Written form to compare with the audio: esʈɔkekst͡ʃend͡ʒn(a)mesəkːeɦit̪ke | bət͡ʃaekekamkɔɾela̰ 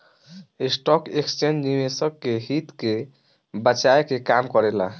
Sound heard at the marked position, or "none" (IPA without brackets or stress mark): i